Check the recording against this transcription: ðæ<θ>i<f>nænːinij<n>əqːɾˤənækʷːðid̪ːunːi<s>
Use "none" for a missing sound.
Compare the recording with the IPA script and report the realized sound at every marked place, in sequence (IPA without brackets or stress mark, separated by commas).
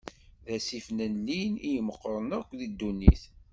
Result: s, f, m, θ